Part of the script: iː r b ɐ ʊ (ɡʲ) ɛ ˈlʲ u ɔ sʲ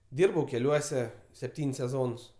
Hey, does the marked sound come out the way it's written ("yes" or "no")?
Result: no